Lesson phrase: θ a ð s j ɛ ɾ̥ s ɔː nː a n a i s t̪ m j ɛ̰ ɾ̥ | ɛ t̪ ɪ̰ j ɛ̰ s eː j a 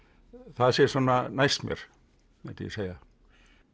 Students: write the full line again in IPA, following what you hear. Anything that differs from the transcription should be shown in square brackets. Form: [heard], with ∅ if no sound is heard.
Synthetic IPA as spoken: θ a ð s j ɛ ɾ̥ s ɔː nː a n a [j] s t̪ m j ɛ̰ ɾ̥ | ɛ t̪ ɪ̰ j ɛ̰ s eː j a